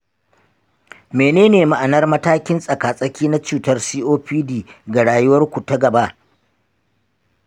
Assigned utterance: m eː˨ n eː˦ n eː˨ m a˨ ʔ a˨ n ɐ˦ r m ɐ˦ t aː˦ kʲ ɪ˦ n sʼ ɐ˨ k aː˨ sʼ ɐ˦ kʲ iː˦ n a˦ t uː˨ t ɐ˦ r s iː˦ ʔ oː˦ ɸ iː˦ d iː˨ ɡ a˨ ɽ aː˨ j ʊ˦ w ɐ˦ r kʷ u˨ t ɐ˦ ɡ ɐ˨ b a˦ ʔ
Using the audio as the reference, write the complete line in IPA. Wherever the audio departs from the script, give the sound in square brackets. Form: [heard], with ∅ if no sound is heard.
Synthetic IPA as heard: m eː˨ n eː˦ n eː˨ m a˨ ʔ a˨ n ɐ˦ r m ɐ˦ t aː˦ kʲ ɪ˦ n sʼ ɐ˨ k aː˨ sʼ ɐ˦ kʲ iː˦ n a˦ [t͡ʃ] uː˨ t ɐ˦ r s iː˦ ʔ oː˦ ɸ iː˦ d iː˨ ɡ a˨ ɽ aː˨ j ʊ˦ w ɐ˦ r kʷ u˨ t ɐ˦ ɡ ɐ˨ b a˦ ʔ